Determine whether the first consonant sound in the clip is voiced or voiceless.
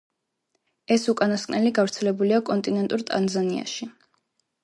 voiceless